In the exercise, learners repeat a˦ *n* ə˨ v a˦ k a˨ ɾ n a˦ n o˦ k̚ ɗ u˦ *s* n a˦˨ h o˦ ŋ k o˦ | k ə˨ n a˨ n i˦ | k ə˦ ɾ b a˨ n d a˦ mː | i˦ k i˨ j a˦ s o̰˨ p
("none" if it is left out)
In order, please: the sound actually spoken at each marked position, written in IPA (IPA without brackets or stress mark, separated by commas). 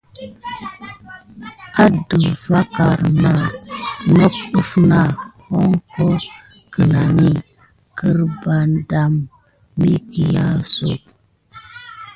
d, f